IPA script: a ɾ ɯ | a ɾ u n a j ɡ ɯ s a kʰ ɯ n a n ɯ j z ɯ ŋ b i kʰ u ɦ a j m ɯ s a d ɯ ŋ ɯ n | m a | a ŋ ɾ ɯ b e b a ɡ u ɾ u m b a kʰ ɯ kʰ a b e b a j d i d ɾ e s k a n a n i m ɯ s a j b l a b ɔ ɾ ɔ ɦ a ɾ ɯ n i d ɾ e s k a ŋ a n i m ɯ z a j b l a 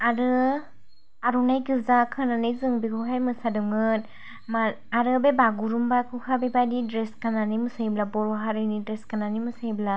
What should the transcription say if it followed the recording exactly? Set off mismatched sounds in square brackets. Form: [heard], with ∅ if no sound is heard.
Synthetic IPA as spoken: a ɾ ɯ | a ɾ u n a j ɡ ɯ [z] a kʰ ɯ n a n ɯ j z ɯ ŋ b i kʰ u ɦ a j m ɯ s a d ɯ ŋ ɯ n | m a | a [∅] ɾ ɯ b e b a ɡ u ɾ u m b a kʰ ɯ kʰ a b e b a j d i d ɾ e s k a n a n i m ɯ s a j b l a b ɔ ɾ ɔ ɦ a ɾ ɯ n i d ɾ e s k a [n] a n i m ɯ [s] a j b l a

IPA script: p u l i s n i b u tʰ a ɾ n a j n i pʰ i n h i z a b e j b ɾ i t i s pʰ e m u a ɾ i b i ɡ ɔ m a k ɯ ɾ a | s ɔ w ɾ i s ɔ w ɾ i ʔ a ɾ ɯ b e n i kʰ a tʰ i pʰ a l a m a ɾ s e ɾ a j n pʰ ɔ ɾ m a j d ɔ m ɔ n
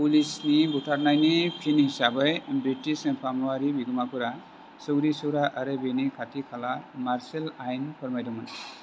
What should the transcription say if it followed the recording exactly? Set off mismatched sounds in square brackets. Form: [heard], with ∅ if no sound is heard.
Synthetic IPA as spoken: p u l i s n i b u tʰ a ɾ n a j n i pʰ i n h i [s] a b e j b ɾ i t i s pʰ [a] m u a ɾ i b i ɡ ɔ m a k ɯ ɾ a | s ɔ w ɾ i s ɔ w ɾ [a] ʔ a ɾ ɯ b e n i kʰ a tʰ i [kʰ] a l a m a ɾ s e [l] a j n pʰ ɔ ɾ m a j d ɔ m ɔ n

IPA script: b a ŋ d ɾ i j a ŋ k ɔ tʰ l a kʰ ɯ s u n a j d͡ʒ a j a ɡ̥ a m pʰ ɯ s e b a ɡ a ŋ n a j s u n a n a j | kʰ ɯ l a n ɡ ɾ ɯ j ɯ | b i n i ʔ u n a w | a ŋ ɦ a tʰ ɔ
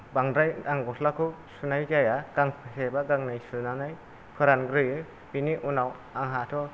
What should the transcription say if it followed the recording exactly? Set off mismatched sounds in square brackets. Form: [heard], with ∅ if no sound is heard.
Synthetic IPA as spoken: b a ŋ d ɾ [a] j a ŋ [ɡ] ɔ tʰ l a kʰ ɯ s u n a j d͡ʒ a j a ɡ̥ a [ŋ] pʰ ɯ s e b a ɡ a ŋ n a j s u n a n a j | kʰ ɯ [ɾ] a n ɡ ɾ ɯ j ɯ | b i n i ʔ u n a w | a ŋ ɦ a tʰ ɔ

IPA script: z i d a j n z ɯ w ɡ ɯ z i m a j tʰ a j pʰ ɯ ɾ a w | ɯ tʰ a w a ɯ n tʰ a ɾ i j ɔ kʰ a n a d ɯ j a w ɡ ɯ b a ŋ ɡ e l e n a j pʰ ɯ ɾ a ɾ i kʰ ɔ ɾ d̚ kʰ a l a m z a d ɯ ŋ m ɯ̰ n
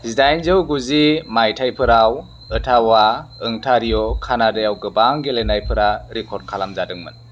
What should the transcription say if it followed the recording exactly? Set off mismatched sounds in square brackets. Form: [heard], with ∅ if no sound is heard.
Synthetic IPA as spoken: z i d a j n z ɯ w ɡ [u] z i m a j tʰ a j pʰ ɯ ɾ a w | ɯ tʰ a w a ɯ [ŋ] tʰ a ɾ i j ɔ kʰ a n a d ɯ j a w ɡ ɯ b a ŋ ɡ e l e n a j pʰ ɯ ɾ a ɾ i kʰ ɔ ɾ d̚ kʰ a l a m z a d ɯ ŋ m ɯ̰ n

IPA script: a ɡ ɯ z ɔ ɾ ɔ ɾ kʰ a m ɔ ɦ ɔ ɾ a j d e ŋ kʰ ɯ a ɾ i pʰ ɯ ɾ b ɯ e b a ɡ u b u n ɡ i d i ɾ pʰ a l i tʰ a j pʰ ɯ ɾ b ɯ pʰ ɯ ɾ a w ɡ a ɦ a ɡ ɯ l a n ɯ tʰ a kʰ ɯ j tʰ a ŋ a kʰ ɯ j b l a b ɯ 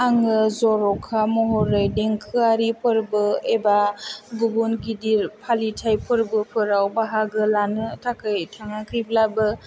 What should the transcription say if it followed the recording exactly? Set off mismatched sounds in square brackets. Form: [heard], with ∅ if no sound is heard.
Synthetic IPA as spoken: a [ŋ] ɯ z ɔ ɾ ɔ [∅] kʰ a m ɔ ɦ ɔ ɾ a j d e ŋ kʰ ɯ a ɾ i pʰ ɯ ɾ b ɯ e b a ɡ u b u n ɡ i d i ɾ pʰ a l i tʰ a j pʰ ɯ ɾ b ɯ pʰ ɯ ɾ a w [b] a ɦ a ɡ ɯ l a n ɯ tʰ a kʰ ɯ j tʰ a ŋ a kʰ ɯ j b l a b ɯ

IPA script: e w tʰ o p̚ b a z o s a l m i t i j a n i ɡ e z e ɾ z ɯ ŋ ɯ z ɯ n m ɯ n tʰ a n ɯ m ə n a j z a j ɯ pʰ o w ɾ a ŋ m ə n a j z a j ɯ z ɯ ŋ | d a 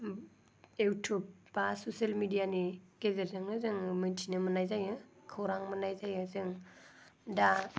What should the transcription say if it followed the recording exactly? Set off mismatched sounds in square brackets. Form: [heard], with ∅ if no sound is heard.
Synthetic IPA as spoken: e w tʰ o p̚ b a [s] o s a l m i [d] i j a n i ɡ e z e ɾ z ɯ ŋ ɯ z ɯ [ŋ] m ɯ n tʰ [i] n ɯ m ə n a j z a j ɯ [kʰ] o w ɾ a ŋ m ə n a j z a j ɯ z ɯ ŋ | d a

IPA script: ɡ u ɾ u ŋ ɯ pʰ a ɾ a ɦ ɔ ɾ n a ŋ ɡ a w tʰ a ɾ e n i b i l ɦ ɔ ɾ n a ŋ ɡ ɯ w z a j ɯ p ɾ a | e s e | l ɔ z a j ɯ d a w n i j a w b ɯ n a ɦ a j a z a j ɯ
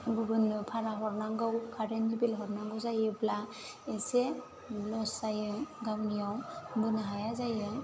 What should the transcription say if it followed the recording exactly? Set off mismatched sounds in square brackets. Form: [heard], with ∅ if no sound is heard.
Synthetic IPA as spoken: ɡ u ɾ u [n] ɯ pʰ a ɾ a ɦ ɔ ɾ n a ŋ ɡ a w [kʰ] a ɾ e n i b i l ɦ ɔ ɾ n a ŋ ɡ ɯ w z a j ɯ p [l] a | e s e | l ɔ [s] a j ɯ [ɡ] a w n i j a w b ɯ n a ɦ a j a z a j ɯ

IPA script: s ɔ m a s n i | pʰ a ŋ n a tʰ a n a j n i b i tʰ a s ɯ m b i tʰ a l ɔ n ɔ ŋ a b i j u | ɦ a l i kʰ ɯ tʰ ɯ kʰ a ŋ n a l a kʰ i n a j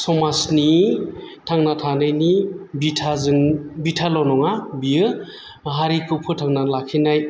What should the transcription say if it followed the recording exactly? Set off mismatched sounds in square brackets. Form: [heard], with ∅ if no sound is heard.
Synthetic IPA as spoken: s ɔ m a s n i | [tʰ] a ŋ n a tʰ a n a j n i b i tʰ a [z] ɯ [ŋ] b i tʰ a l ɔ n ɔ ŋ a b i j [ɯ] | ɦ a [ɾ] i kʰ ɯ [pʰ] ɯ [tʰ] a ŋ n a l a kʰ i n a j

